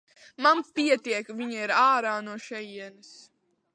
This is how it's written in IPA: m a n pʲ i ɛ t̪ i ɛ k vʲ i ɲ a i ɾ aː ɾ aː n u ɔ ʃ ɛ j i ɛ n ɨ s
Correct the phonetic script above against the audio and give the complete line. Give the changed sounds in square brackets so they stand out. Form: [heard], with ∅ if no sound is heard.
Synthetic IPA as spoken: m a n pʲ i ɛ t̪ i ɛ k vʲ i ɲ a i ɾ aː ɾ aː n u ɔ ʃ ɛ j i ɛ n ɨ s

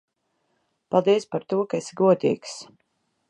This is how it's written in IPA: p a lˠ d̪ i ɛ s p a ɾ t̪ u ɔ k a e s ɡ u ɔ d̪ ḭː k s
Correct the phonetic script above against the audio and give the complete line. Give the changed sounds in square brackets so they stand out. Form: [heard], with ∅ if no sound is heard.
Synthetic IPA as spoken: p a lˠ d̪ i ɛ s p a ɾ t̪ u ɔ k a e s ɡ u ɔ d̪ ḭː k s

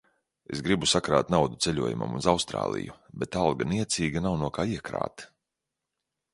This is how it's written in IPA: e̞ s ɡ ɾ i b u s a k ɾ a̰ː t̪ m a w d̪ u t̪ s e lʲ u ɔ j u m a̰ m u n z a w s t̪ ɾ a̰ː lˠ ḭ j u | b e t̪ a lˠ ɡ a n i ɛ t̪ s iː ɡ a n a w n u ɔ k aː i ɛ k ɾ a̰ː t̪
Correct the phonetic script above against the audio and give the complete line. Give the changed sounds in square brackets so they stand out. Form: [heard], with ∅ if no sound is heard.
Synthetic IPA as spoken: e̞ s ɡ ɾ i b u s a k ɾ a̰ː t̪ [n] a w d̪ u t̪ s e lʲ u ɔ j u m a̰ m u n z a w s t̪ ɾ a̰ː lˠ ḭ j u | b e t̪ a lˠ ɡ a n i ɛ t̪ s iː ɡ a n a w n u ɔ k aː i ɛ k ɾ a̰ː t̪

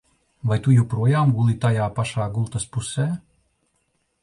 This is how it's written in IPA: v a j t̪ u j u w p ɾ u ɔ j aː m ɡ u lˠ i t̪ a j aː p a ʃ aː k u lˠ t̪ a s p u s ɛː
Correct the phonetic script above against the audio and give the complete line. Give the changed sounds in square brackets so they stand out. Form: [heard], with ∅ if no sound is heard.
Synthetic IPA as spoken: v a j t̪ u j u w p ɾ u ɔ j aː m ɡ u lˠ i t̪ a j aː p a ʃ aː [ɡ] u lˠ t̪ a s p u s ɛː

